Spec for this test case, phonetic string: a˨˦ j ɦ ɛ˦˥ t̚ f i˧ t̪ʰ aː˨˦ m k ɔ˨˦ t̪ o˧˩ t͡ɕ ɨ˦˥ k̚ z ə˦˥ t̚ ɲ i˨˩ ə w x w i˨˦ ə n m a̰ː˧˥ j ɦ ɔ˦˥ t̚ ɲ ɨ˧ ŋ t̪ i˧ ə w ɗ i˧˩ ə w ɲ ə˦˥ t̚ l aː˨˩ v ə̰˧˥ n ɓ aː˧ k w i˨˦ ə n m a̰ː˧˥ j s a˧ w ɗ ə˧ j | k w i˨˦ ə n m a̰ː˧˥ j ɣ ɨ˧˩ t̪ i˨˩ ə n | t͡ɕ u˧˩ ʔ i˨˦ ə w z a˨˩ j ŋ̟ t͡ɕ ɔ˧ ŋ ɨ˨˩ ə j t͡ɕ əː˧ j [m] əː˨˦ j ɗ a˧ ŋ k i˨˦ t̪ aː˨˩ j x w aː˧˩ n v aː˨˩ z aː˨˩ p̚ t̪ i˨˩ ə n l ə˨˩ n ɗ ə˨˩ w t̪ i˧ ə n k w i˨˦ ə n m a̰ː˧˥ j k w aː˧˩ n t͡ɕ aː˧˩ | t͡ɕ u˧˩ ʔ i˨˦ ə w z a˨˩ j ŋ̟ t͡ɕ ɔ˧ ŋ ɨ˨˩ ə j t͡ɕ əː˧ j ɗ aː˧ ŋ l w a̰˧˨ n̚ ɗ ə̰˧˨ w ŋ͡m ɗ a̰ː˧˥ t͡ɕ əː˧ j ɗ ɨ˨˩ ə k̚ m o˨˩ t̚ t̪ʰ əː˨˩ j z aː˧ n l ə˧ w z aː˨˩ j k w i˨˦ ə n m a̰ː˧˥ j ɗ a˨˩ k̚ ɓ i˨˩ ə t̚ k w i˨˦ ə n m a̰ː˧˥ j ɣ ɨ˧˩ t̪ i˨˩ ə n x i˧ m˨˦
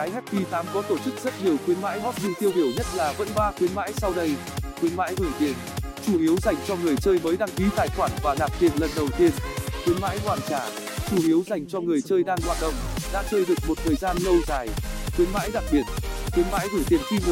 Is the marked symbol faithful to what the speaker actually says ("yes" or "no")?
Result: yes